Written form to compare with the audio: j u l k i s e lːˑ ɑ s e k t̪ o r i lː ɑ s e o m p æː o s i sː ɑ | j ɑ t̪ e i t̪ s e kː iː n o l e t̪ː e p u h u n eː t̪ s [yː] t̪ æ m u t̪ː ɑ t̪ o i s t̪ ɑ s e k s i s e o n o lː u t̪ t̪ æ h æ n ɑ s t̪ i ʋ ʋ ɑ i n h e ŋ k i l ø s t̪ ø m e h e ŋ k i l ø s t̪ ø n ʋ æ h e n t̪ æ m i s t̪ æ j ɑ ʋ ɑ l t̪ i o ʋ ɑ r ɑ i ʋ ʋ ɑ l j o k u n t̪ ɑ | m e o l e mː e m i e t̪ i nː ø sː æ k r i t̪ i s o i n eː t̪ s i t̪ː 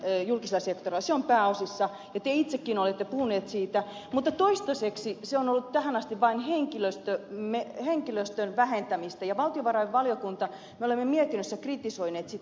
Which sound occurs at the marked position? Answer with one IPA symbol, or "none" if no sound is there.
iː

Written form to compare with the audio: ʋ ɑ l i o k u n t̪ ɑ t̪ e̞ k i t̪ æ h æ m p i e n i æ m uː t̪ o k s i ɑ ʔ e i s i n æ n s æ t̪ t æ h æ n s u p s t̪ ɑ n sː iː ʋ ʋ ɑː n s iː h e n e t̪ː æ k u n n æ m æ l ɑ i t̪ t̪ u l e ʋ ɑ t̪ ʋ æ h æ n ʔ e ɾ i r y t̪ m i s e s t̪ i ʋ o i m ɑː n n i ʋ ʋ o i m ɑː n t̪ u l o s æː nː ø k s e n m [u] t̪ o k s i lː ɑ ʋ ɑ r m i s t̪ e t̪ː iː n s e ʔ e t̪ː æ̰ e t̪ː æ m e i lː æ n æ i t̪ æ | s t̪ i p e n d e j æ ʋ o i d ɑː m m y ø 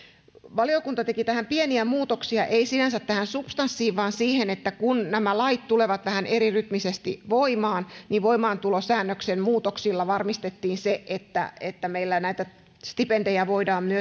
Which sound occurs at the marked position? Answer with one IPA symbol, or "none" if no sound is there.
uː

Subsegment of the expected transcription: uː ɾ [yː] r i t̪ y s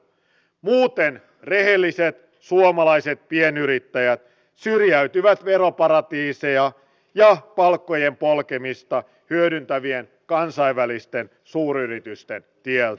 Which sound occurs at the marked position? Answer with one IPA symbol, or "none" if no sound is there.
y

